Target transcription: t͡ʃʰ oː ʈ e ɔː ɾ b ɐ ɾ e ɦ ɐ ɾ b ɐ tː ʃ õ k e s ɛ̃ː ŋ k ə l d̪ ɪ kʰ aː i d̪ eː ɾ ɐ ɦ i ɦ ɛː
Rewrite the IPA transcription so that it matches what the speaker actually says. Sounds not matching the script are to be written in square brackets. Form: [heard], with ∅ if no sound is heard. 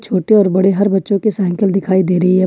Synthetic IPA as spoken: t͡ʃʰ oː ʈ e ɔː ɾ b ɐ [ɽ] e ɦ ɐ ɾ b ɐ tː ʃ õ k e s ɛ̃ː ŋ k ə l d̪ ɪ kʰ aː i d̪ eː ɾ ɐ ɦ i ɦ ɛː